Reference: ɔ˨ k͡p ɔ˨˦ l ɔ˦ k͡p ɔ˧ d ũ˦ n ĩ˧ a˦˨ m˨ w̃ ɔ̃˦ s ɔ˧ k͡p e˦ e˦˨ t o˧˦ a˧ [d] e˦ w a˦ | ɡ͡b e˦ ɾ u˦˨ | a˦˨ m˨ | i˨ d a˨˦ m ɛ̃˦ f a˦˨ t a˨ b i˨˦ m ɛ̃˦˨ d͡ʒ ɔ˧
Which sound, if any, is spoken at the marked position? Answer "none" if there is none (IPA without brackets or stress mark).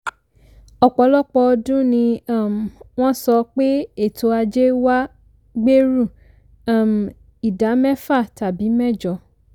d͡ʒ